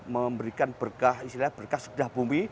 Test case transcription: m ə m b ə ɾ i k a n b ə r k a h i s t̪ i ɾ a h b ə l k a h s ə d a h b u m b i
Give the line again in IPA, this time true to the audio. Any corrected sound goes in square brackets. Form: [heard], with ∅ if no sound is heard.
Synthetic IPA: m ə m b ə ɾ i k a n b ə r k a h i s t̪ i [l] a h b ə [r] k a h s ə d a h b u m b i